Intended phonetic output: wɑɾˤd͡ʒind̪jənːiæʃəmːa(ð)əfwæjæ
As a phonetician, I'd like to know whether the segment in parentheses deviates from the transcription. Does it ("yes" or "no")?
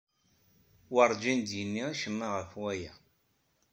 yes